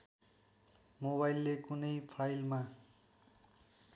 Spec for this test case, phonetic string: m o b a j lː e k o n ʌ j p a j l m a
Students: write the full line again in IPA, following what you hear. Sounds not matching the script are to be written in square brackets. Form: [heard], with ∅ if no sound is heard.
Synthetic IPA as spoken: m o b a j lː e k [u] n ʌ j [pʰ] a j l m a